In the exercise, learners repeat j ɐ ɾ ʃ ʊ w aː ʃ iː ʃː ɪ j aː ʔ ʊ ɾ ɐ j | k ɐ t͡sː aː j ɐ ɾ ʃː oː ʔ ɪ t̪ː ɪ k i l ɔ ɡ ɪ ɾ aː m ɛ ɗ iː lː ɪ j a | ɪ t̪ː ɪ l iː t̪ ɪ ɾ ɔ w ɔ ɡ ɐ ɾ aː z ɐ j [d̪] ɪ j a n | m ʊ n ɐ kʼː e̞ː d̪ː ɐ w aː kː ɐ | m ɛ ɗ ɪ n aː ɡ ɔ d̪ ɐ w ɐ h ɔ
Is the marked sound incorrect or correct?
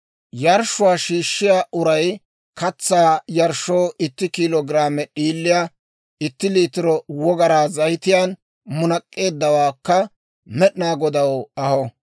incorrect: t̪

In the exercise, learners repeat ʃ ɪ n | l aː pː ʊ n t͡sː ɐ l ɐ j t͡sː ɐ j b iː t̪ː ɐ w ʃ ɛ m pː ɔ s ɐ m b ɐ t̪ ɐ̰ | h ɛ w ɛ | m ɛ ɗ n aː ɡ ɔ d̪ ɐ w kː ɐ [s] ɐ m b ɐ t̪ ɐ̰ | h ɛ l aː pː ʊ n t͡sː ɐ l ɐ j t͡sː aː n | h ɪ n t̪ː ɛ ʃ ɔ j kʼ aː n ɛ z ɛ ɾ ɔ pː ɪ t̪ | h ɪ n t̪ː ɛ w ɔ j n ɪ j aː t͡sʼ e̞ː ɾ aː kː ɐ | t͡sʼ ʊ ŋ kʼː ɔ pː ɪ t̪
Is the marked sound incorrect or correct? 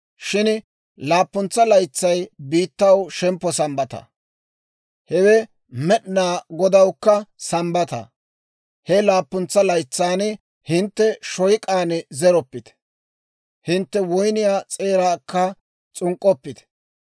correct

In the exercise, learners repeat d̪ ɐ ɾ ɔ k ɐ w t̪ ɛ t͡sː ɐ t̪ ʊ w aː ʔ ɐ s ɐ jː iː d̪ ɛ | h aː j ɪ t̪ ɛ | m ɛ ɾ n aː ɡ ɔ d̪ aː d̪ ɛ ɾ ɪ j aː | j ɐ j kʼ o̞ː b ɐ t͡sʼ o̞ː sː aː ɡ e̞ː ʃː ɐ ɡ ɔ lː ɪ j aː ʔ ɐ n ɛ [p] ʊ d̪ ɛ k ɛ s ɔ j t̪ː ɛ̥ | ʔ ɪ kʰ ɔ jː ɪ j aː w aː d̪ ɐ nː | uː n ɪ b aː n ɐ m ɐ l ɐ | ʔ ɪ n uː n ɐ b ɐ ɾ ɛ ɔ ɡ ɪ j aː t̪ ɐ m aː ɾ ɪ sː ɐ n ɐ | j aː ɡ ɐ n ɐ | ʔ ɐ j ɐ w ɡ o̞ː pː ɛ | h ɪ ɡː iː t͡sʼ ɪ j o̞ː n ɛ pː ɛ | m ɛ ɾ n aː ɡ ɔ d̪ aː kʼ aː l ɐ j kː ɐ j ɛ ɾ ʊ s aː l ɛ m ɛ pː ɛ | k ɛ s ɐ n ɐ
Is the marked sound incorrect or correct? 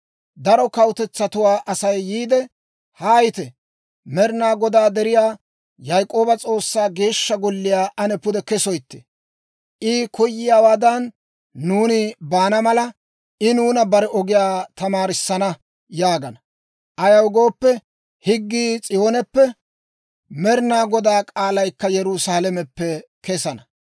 correct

